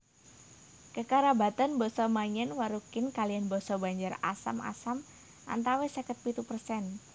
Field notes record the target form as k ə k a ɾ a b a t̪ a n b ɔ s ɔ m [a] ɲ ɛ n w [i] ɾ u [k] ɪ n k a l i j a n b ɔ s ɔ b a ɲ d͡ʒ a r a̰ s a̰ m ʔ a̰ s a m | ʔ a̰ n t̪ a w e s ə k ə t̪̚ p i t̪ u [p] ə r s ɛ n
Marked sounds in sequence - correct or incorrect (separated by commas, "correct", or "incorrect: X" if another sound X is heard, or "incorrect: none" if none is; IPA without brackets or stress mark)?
correct, incorrect: a, correct, correct